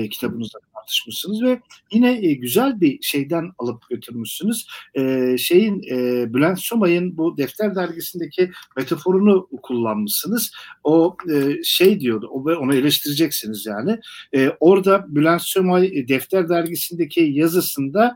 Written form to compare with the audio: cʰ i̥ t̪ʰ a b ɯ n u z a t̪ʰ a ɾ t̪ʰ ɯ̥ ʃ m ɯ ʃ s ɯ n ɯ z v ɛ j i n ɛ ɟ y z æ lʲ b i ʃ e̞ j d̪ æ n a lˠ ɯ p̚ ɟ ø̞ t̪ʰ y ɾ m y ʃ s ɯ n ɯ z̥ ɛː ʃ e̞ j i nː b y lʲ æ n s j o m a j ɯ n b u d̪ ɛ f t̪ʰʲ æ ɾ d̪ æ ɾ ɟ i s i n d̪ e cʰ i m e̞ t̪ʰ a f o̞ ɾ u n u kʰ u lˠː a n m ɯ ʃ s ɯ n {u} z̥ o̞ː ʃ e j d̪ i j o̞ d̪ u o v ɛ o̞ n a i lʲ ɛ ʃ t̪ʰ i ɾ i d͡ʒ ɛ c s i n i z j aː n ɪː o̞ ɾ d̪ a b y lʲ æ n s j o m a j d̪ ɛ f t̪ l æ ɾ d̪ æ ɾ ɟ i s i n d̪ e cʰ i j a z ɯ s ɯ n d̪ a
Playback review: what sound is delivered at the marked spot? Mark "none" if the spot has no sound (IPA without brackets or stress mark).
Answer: ɯ